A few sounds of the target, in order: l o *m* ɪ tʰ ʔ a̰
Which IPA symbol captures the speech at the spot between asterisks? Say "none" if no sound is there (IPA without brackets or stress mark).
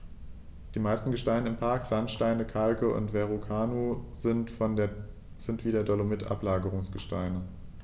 m